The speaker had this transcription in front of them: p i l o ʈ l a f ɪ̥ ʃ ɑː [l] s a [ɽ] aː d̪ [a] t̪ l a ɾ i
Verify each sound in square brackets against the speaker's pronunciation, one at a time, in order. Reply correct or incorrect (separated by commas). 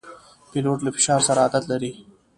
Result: incorrect, incorrect, correct